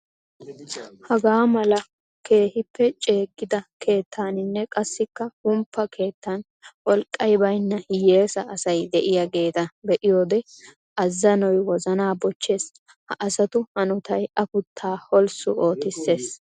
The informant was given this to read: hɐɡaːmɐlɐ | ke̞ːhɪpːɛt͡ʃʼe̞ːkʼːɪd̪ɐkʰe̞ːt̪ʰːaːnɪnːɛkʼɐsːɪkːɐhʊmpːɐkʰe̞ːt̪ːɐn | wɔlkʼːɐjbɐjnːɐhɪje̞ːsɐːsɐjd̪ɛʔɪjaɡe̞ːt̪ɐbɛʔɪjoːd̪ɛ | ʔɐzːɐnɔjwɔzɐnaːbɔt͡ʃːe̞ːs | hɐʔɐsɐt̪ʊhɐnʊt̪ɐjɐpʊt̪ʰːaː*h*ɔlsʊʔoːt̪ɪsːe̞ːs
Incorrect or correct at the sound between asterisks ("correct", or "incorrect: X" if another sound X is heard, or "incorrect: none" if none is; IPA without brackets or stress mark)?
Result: correct